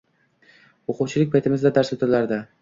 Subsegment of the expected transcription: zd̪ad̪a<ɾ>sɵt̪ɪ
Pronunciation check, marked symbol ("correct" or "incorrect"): correct